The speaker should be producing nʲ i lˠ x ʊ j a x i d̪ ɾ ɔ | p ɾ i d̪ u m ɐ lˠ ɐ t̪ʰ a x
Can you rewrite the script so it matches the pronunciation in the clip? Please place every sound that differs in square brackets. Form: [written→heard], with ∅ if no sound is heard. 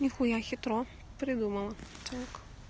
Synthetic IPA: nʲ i [lˠ→∅] x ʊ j a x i [d̪→t̪] ɾ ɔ | p ɾ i d̪ u m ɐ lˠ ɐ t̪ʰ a [x→k]